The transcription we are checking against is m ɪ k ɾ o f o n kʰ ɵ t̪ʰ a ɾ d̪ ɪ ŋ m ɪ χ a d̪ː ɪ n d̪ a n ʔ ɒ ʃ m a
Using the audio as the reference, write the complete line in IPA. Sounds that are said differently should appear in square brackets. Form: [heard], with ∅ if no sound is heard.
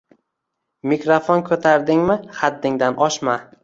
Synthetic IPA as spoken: m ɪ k ɾ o f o n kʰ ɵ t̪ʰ a ɾ d̪ ɪ ŋ m ɪ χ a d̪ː ɪ [ŋ] d̪ a n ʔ ɒ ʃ m a